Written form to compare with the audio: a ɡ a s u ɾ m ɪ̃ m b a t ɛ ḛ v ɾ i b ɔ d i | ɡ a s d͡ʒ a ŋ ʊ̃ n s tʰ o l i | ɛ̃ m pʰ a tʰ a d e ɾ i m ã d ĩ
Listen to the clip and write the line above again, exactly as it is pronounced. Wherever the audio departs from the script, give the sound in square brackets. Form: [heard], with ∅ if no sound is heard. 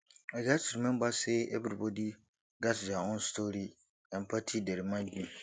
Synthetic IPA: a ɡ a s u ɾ m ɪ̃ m b a [s] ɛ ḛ [b] ɾ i b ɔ d i | ɡ a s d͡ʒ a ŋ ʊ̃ n s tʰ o [ɾ] i | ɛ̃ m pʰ a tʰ [i] d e ɾ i m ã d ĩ